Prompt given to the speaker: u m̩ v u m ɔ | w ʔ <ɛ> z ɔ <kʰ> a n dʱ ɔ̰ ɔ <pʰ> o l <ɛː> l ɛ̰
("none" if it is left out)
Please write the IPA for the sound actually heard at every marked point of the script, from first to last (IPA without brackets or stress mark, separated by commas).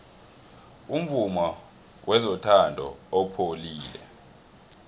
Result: ɛ, tʰ, pʰ, iː